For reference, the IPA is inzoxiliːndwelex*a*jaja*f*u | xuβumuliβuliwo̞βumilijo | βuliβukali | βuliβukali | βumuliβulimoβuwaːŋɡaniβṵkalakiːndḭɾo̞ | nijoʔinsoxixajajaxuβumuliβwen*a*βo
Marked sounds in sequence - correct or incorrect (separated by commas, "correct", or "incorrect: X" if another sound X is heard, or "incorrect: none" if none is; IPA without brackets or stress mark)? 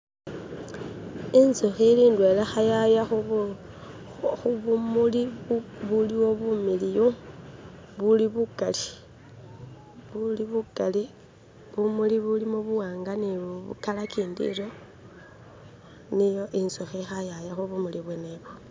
correct, incorrect: x, incorrect: e